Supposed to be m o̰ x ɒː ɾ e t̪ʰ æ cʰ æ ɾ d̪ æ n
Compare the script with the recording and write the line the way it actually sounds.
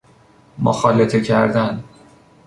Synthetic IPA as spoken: m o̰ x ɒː l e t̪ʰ e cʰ æ ɾ d̪ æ n